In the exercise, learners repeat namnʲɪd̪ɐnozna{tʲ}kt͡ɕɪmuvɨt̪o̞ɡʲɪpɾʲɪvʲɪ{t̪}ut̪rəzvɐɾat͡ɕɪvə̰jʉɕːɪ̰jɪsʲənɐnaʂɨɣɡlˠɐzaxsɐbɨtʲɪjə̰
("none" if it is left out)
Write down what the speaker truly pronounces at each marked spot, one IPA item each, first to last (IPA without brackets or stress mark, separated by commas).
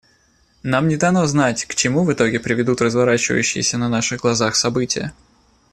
tʲ, d̪